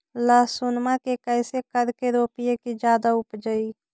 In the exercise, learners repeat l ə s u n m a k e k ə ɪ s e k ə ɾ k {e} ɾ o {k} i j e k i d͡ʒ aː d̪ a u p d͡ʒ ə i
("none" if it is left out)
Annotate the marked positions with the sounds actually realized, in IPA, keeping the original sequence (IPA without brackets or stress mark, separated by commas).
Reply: e, p